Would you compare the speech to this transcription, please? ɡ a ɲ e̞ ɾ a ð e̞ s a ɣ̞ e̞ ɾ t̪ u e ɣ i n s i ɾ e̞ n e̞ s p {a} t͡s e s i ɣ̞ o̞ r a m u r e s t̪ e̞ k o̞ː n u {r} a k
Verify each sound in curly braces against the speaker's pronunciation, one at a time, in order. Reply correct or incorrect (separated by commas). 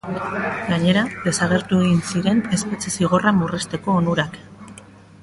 incorrect, incorrect